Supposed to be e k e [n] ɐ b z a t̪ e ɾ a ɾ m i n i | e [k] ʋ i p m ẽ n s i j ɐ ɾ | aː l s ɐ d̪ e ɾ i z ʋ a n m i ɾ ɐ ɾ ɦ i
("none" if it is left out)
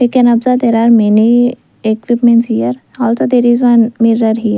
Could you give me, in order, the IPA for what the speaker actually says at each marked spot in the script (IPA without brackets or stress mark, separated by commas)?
n, k